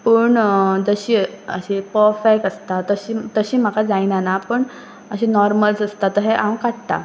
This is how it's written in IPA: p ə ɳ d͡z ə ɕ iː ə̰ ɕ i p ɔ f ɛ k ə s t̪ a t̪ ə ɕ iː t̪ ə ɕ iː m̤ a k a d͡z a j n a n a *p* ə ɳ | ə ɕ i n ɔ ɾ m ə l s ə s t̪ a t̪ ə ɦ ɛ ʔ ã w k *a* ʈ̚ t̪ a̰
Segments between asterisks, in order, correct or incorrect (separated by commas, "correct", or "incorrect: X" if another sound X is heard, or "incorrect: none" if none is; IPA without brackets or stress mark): correct, correct